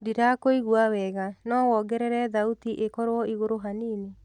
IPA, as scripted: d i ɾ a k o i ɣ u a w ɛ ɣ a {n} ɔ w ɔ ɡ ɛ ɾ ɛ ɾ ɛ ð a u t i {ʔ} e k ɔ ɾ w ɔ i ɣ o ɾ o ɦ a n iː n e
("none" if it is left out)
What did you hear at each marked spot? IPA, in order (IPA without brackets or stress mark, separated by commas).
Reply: n, ʔ